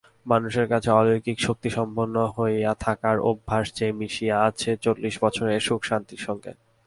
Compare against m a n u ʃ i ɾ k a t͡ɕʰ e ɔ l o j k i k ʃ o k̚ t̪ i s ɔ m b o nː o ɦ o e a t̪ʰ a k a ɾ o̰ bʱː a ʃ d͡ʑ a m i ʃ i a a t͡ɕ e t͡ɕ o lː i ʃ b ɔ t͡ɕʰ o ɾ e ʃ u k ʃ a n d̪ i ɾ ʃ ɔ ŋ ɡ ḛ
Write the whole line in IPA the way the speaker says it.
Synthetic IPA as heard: m a n u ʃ e ɾ k a t͡ɕʰ e ɔ l o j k i k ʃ o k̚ t̪ i ʃ ɔ m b o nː o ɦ o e a t̪ʰ a k a ɾ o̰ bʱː a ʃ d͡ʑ e m i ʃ i a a t͡ɕʰ e t͡ɕ o lː i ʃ b ɔ t͡ɕʰ o ɾ e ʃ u k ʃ a n t̪ i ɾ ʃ ɔ ŋ ɡ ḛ